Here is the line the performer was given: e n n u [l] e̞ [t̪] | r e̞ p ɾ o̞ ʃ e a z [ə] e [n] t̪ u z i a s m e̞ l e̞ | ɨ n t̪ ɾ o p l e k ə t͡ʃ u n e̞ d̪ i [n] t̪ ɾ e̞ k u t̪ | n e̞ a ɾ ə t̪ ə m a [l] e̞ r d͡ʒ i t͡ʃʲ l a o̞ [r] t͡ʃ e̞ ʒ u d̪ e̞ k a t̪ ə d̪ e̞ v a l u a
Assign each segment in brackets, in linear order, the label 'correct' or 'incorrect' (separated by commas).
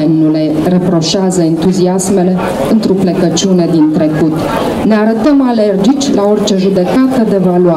correct, incorrect, correct, correct, correct, correct, correct